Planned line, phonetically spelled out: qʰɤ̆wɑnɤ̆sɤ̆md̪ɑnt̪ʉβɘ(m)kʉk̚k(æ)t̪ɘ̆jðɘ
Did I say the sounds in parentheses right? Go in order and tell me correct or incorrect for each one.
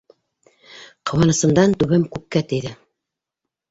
correct, correct

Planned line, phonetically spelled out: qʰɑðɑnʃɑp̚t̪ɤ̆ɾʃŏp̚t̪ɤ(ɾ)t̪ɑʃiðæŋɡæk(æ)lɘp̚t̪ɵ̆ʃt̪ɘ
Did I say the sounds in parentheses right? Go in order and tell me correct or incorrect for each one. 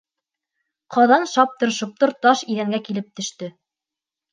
correct, incorrect

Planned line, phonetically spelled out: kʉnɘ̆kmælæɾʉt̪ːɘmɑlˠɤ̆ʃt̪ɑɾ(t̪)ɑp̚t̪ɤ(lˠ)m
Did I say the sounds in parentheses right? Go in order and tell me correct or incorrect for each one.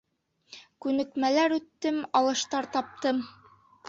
correct, incorrect

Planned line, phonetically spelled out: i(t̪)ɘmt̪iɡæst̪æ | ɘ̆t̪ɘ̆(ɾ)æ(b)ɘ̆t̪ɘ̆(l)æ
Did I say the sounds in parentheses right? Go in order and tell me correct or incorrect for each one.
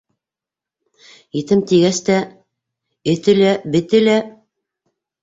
correct, incorrect, correct, correct

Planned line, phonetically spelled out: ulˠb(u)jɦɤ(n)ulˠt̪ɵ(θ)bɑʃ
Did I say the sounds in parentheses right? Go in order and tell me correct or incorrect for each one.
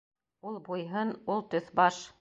correct, correct, correct

